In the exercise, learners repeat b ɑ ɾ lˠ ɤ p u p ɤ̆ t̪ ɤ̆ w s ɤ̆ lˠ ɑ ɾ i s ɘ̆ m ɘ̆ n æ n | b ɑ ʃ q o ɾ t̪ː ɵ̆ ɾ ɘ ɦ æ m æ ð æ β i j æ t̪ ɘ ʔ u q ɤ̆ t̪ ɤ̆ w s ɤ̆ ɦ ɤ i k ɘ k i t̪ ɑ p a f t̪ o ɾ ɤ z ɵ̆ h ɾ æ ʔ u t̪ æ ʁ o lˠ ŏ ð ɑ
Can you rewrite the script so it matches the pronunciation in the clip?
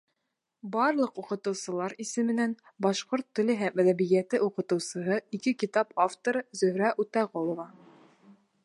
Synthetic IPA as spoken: b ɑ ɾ lˠ ɤ q u q ɤ̆ t̪ ɤ̆ w s ɤ̆ lˠ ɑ ɾ i s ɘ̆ m ɘ̆ n æ n | b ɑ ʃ q o ɾ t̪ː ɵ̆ l ɘ ɦ æ m æ ð æ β i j æ t̪ ɘ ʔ u q ɤ̆ t̪ ɤ̆ w s ɤ̆ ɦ ɤ i k ɘ k i t̪ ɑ p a f t̪ o ɾ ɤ z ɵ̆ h ɾ æ ʔ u t̪ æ ʁ o lˠ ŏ v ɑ